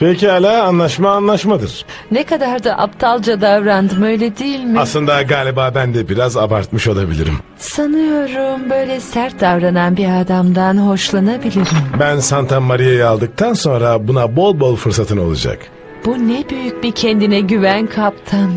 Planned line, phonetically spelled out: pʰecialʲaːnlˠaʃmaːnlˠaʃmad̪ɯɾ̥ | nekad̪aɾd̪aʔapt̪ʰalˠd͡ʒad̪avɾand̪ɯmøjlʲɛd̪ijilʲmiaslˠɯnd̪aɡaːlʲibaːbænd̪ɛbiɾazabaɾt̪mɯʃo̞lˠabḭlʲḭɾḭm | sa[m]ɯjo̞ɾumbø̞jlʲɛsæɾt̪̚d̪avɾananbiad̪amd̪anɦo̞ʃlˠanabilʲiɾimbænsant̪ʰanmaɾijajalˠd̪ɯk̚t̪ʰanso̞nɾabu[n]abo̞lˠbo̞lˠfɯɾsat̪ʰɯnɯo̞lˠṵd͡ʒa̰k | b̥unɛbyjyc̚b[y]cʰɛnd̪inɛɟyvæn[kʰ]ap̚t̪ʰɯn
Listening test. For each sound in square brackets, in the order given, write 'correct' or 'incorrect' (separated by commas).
incorrect, correct, incorrect, correct